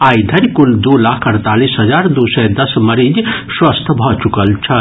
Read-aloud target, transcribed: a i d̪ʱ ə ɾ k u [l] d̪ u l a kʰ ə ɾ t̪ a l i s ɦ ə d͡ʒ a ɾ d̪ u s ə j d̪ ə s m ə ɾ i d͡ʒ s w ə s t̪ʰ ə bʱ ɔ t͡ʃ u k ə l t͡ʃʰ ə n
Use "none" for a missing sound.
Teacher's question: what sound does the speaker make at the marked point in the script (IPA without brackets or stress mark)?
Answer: l